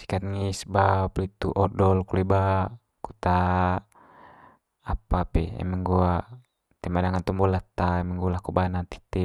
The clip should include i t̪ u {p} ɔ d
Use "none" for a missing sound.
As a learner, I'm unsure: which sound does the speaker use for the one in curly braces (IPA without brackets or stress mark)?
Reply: ʔ